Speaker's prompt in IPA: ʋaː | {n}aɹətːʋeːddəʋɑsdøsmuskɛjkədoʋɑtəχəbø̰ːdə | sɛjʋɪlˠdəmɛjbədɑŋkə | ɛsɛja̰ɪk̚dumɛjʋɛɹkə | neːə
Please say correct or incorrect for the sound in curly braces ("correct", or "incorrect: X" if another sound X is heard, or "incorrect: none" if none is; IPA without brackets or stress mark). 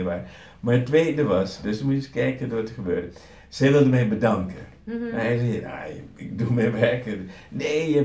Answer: incorrect: m